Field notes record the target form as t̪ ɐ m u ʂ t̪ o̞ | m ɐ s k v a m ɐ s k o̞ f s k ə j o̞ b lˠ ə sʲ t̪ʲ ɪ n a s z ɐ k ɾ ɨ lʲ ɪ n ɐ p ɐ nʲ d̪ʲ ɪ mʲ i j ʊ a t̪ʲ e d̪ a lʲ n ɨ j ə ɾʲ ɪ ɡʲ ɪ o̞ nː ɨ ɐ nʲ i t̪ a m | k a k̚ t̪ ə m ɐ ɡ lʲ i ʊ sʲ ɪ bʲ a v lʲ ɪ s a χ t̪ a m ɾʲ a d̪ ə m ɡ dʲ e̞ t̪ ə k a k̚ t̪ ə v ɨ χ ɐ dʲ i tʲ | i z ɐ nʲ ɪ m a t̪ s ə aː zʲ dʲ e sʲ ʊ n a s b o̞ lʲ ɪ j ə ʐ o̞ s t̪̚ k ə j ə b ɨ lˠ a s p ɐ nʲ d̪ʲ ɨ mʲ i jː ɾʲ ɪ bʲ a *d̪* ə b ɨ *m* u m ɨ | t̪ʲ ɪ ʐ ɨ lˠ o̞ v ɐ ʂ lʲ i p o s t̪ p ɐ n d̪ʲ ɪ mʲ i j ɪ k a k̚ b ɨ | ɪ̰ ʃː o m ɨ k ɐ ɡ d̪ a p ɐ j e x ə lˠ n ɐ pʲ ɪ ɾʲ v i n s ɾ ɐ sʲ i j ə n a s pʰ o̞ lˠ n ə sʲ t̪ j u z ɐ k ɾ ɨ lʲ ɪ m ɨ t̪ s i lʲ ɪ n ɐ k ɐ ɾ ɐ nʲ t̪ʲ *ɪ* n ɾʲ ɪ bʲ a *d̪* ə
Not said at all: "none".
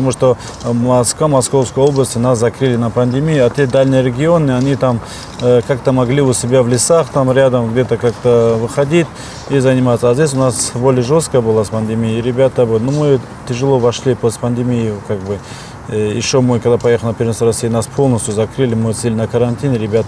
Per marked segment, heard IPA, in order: t̪, n, i, t̪

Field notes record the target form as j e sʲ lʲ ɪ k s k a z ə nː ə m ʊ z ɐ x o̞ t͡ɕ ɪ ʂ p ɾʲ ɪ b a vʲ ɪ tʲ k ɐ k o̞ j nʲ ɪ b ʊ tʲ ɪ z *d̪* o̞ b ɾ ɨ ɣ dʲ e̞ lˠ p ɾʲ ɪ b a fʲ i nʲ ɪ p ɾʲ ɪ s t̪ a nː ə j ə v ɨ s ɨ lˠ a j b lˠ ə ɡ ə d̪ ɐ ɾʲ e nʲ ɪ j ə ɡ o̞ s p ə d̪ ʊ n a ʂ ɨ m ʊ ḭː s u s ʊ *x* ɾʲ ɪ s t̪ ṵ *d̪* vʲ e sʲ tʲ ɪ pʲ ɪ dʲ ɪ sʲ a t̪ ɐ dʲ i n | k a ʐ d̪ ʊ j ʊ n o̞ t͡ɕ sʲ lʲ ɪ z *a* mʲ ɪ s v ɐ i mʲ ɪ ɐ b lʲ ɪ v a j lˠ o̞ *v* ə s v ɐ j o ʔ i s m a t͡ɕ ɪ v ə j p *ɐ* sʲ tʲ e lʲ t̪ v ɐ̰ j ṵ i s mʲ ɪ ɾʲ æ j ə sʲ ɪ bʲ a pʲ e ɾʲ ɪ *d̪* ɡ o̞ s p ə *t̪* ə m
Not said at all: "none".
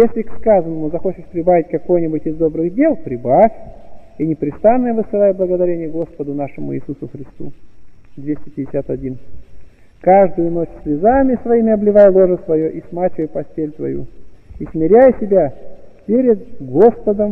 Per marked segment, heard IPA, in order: d̪, x, d̪, a, ʐ, ɐ, d̪, d̪

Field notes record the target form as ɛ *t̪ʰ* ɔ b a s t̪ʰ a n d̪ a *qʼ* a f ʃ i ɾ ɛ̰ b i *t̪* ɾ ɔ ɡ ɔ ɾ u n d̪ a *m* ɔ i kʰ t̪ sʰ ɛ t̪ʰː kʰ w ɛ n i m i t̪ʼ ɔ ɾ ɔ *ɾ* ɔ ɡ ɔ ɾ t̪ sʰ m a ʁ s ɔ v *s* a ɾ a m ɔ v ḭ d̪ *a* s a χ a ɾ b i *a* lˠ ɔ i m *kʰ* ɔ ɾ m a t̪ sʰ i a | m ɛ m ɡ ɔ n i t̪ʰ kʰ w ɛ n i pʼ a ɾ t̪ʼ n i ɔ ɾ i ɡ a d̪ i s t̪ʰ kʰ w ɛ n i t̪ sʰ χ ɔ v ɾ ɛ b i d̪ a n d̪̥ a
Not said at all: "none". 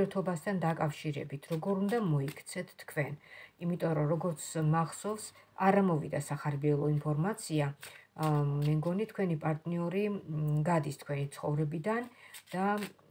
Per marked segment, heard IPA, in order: t̪ʰ, kʼ, t̪ʰ, m, ɾ, s, a, ɛ, pʰ

